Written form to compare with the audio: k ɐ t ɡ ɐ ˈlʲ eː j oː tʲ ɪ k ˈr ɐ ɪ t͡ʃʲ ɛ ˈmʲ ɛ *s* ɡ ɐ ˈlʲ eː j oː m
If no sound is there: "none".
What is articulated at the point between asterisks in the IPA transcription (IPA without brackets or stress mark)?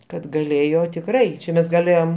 s